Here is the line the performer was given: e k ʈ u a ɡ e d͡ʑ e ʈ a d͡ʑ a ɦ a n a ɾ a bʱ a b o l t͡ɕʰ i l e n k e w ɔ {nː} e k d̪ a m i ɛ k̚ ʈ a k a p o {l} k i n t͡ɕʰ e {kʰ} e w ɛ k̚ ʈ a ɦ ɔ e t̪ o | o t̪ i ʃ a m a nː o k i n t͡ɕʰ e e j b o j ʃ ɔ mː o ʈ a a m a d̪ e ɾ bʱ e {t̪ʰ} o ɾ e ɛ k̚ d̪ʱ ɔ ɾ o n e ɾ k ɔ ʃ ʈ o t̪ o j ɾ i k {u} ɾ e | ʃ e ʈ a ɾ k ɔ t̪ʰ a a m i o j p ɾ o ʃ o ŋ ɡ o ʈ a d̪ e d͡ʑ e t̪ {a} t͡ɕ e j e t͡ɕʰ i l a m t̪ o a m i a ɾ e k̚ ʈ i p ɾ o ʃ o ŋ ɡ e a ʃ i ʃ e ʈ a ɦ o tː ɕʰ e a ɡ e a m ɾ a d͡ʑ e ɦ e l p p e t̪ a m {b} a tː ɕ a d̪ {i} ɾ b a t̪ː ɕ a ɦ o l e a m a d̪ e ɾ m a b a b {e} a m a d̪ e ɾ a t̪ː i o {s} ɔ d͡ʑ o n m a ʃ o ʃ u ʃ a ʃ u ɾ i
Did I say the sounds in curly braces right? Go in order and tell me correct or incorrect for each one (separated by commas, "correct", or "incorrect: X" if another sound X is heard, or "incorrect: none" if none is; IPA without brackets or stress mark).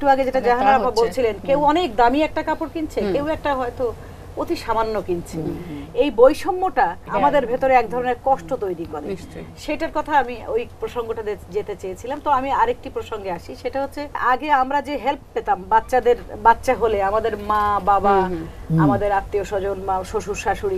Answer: incorrect: n, incorrect: ɾ, incorrect: k, incorrect: t̪, incorrect: o, incorrect: e, correct, incorrect: e, incorrect: a, incorrect: ʃ